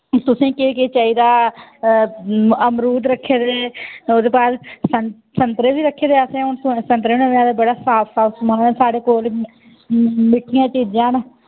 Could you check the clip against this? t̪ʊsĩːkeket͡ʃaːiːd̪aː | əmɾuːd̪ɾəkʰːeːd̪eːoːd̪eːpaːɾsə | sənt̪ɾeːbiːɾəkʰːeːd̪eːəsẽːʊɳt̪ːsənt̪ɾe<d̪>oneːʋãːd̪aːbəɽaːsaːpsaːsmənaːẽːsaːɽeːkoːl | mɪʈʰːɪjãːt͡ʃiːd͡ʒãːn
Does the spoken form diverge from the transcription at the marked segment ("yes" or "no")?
yes